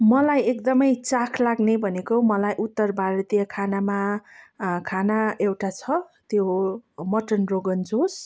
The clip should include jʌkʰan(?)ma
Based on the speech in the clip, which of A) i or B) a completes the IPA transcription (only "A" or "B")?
B